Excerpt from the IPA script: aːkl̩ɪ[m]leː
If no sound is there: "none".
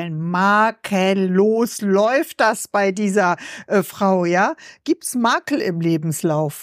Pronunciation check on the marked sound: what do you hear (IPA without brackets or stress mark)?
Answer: m